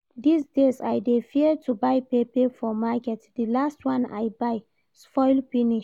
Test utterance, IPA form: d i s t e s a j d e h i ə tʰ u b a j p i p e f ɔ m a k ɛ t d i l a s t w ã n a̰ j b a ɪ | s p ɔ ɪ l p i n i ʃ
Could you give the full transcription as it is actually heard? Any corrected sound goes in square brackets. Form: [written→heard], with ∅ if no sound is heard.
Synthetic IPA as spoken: d i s [t→d] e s a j d e [h→f] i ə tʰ u b a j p [i→e] p e f ɔ m a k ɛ t d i l a s t w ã n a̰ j b a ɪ | s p ɔ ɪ l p i n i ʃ